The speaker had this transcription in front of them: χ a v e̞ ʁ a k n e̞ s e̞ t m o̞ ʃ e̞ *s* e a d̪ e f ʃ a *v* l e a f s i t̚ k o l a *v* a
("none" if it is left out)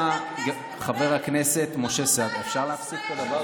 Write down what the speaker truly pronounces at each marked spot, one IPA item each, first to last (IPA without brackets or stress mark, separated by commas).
s, ʁ, v